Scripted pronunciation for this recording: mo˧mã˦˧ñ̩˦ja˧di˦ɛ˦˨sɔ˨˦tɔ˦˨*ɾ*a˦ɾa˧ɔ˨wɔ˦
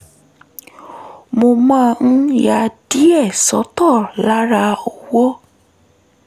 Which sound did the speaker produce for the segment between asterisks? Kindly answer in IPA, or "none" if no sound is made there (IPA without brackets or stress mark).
l